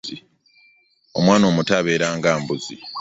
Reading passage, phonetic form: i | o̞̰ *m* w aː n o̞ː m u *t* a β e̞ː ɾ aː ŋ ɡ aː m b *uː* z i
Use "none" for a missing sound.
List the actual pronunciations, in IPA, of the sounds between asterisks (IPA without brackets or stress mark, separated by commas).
m, t, u